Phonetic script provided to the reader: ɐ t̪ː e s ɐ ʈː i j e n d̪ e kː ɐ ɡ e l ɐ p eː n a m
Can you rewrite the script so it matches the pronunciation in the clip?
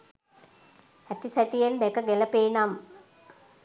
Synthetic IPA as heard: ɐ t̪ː i s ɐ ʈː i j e n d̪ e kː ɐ ɡ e l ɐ p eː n a m